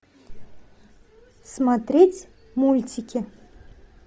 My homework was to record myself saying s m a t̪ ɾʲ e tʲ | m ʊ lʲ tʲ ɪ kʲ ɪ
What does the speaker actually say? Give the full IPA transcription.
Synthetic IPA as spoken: s m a t̪ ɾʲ e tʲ | m u lʲ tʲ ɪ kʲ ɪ